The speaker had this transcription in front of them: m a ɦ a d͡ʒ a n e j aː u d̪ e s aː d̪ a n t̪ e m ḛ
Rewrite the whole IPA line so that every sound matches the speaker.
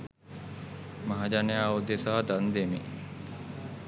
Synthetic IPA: m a ɦ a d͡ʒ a n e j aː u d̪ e s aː d̪ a n d̪ e m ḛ